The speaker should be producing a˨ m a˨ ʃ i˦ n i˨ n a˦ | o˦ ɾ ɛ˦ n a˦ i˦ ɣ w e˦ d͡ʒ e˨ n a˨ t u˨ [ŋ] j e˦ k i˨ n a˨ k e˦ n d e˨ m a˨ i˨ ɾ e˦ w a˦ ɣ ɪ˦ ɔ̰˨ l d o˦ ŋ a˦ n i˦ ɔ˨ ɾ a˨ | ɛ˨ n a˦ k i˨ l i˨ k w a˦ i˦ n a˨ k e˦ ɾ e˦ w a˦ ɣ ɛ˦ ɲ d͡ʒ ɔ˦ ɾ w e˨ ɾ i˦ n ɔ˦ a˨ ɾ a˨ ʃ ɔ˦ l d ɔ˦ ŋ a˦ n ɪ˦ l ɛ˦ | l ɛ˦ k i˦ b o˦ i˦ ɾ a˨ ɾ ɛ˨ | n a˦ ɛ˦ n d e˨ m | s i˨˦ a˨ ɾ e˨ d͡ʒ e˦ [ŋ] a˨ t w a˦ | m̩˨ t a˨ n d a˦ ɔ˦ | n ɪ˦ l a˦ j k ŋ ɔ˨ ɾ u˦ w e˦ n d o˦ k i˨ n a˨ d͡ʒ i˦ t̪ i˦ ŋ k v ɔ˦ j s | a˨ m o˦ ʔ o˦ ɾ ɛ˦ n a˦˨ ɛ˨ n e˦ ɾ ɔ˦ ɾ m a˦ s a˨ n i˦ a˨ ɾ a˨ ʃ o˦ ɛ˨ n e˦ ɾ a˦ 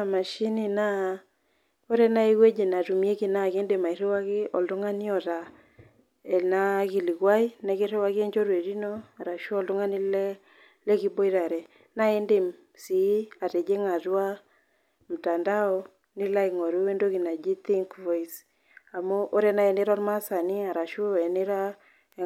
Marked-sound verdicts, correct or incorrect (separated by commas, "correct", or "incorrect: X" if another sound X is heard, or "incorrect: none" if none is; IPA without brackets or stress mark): incorrect: m, correct